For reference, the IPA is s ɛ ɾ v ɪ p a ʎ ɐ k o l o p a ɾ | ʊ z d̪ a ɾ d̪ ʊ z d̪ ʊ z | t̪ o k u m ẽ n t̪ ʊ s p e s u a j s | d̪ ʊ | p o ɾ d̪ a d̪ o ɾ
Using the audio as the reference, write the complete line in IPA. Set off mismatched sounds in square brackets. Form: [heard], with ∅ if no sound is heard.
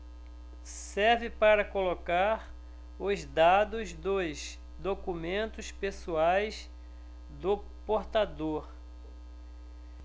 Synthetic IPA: s ɛ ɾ v ɪ p a [ɾ] ɐ k o l o [k] a ɾ | ʊ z d̪ a [∅] d̪ ʊ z d̪ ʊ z | [d̪] o k u m ẽ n t̪ ʊ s p e s u a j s | d̪ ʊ | p o ɾ [t̪] a d̪ o ɾ